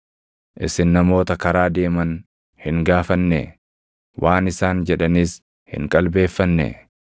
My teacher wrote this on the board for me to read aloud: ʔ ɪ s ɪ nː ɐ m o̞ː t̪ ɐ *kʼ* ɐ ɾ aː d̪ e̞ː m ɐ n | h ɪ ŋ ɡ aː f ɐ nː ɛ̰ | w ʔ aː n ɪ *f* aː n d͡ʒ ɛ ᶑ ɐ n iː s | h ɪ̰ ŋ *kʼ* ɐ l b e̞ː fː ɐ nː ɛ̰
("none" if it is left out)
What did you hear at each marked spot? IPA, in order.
k, s, kʼ

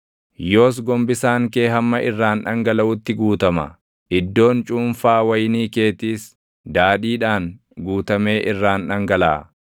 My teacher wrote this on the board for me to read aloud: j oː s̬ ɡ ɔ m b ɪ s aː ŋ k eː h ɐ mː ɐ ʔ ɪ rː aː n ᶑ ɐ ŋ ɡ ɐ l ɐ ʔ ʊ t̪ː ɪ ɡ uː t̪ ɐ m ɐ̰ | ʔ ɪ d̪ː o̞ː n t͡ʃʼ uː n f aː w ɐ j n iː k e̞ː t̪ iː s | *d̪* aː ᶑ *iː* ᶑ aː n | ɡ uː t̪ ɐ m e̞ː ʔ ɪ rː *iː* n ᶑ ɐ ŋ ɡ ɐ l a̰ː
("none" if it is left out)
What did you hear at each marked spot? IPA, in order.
d̪, iː, aː

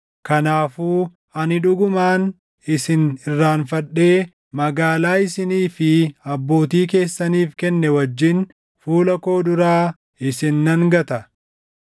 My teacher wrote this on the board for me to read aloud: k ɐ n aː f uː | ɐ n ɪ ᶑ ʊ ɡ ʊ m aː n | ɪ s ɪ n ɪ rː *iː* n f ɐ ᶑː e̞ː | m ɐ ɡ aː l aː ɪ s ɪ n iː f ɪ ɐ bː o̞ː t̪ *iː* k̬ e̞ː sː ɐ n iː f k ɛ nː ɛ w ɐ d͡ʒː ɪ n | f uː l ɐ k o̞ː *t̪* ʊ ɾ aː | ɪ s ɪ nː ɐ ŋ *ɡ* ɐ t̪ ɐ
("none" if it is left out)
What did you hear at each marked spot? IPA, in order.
aː, iː, d̪, ɡ

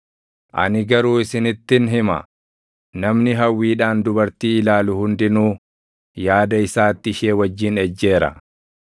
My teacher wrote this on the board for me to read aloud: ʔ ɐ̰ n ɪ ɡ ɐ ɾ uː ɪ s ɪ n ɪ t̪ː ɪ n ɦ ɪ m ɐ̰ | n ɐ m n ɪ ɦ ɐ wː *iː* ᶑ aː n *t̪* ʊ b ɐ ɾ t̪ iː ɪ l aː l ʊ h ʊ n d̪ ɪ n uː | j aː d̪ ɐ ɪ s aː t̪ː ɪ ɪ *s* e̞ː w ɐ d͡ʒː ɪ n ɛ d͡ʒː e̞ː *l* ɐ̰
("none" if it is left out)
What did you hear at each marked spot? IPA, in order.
iː, d̪, ʃ, ɾ

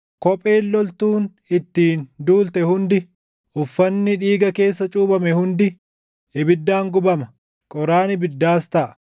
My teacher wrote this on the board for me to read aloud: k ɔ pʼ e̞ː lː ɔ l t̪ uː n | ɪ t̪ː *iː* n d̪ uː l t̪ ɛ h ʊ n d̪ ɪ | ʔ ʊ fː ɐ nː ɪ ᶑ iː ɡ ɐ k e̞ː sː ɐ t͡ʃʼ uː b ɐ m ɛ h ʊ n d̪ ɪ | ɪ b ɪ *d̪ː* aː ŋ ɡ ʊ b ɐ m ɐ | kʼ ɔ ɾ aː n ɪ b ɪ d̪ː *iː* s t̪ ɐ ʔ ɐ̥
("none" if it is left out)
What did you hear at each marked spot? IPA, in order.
iː, d̪ː, aː

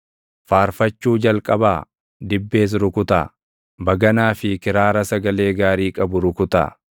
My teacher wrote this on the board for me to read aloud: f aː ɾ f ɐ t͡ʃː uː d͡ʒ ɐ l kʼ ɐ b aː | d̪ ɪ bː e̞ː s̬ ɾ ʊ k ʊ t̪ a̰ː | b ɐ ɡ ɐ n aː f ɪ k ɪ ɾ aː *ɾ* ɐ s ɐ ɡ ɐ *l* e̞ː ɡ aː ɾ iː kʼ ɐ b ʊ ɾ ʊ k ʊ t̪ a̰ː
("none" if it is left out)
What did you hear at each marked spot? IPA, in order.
ɾ, l

